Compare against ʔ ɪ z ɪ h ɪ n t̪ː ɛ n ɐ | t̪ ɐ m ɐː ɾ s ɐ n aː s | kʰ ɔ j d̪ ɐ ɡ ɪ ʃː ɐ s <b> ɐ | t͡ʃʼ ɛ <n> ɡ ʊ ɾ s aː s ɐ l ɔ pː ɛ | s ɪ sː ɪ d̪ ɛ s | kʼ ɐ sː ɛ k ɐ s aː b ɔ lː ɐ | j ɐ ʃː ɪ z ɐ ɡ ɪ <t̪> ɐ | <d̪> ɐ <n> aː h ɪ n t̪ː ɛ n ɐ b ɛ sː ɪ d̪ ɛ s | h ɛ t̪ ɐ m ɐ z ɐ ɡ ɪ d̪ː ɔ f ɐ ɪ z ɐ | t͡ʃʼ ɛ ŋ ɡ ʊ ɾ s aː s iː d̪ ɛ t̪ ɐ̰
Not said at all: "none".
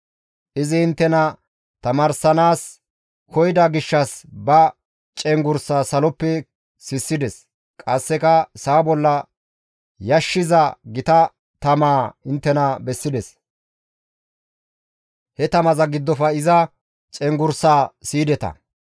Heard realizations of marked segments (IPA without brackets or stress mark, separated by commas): b, ŋ, t̪, t̪, m